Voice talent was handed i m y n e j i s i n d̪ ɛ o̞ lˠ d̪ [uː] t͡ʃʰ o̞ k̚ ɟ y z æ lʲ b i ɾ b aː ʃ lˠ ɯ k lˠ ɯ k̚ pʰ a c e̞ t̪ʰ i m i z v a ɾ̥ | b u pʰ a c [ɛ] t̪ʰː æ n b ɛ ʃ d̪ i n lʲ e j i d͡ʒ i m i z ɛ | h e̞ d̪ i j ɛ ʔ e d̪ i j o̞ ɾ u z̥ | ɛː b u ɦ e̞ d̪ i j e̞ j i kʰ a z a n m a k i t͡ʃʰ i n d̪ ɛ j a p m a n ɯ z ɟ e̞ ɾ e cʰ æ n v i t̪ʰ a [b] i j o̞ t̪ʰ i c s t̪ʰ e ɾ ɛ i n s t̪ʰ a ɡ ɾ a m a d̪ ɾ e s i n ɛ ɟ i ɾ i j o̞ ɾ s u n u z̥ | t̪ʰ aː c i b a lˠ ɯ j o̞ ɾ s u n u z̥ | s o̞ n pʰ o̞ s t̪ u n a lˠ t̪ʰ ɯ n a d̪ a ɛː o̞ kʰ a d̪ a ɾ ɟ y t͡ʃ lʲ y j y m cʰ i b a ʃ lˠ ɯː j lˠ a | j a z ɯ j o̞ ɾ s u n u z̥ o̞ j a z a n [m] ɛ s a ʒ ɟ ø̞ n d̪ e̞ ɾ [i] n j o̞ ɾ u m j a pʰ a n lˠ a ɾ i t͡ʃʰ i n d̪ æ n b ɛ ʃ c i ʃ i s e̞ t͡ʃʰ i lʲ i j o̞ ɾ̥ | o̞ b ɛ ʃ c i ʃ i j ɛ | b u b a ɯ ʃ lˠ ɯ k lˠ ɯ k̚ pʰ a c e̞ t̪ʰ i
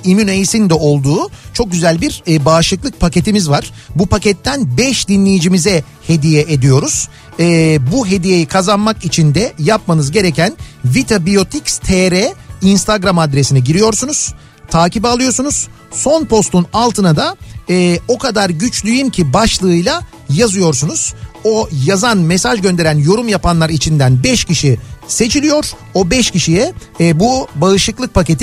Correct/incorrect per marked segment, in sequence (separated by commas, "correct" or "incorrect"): correct, correct, correct, correct, incorrect